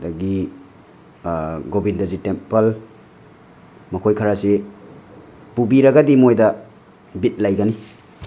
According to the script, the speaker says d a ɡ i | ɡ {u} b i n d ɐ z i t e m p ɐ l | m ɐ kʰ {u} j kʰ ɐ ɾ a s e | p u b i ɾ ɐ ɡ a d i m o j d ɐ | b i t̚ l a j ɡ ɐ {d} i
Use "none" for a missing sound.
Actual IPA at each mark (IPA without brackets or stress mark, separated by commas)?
o, o, n